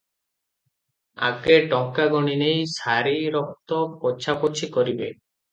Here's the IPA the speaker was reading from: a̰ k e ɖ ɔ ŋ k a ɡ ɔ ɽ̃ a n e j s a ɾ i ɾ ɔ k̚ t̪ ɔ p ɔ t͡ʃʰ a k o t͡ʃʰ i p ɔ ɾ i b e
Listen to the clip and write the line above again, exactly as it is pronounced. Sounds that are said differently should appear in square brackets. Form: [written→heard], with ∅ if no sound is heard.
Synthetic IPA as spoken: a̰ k e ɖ ɔ ŋ k a ɡ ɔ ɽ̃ [a→i] n e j s a ɾ i ɾ ɔ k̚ t̪ ɔ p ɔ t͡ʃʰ a [k→p] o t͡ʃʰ i [p→k] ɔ ɾ i b e